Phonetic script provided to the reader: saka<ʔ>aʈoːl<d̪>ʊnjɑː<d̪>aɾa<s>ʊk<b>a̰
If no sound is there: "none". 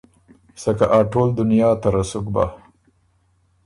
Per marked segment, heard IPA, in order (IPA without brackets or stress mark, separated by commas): ʔ, d̪, t̪, s, b